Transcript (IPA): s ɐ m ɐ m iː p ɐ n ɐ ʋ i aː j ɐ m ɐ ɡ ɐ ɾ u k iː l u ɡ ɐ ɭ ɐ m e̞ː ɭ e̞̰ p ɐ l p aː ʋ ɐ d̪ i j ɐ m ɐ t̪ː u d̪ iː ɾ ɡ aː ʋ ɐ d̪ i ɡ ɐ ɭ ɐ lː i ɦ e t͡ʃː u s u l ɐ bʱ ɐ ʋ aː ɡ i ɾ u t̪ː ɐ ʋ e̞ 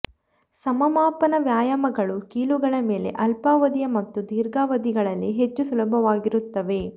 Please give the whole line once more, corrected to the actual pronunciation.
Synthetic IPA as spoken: s ɐ m ɐ m aː p ɐ n ɐ ʋ j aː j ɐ m ɐ ɡ ɐ ɭ u k iː l u ɡ ɐ ɭ ɐ m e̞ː l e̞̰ ʔ ɐ l p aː ʋ ɐ d̪ i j ɐ m ɐ t̪ː u d̪ iː ɾ ɡ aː ʋ ɐ d̪ i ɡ ɐ ɭ ɐ lː i ɦ e t͡ʃː u s u l ɐ bʱ ɐ ʋ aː ɡ i ɾ u t̪ː ɐ ʋ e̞